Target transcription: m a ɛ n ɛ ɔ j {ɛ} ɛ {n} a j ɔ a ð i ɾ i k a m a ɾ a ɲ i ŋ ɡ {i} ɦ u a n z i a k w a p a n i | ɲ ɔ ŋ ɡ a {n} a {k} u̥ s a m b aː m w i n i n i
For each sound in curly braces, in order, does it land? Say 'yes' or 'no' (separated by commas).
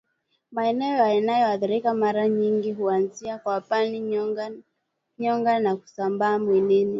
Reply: no, yes, yes, yes, yes